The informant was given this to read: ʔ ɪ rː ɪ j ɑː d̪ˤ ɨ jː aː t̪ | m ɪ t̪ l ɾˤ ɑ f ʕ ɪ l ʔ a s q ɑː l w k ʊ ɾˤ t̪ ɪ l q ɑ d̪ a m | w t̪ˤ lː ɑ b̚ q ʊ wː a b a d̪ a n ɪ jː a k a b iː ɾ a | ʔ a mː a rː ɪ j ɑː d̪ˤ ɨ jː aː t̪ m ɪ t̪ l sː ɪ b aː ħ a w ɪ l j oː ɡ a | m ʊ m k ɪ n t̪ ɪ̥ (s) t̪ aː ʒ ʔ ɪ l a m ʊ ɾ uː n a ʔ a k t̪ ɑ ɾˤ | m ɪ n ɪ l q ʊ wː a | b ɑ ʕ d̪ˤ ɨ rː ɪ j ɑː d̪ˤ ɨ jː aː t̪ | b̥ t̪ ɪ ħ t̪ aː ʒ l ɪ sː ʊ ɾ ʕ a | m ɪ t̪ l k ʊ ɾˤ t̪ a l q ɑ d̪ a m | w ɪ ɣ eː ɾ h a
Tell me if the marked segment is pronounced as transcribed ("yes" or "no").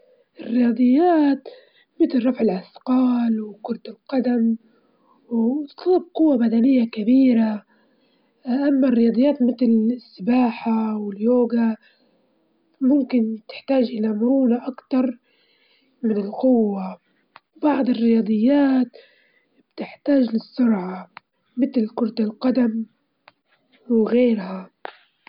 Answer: no